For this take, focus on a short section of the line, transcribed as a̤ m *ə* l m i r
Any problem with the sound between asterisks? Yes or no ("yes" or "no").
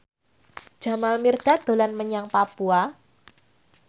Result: yes